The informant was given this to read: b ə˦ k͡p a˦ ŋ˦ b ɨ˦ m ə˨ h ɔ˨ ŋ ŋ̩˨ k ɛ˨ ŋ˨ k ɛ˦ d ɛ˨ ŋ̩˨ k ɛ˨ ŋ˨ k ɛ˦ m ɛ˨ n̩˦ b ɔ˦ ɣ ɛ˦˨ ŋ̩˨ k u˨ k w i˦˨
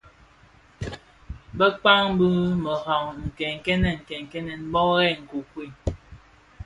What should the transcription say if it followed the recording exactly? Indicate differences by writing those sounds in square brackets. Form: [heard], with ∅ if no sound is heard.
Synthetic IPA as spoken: b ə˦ k͡p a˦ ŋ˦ b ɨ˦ m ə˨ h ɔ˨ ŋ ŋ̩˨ k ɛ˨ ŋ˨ k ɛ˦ [n] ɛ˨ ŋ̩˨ k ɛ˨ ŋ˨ k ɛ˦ [n] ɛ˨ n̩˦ b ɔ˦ ɣ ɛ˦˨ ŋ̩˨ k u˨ k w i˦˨